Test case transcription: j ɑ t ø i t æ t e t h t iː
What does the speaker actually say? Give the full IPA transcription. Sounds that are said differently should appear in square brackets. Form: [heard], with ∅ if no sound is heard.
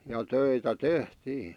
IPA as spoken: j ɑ t ø i t æ t e [∅] h t iː